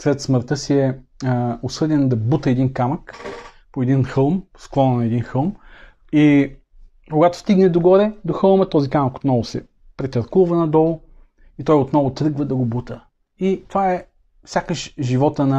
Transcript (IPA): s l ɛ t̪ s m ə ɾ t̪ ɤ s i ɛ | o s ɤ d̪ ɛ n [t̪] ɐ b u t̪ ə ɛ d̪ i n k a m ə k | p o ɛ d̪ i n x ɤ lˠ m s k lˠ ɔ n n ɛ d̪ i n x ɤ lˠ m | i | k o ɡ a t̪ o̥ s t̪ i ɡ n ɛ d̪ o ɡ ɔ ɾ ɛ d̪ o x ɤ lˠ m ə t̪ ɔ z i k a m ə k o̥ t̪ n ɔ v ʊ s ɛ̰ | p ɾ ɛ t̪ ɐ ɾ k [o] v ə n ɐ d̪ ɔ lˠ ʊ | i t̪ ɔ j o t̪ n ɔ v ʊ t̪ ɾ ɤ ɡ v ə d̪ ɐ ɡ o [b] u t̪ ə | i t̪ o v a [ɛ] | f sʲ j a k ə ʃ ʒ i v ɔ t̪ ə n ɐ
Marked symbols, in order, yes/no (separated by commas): no, no, yes, yes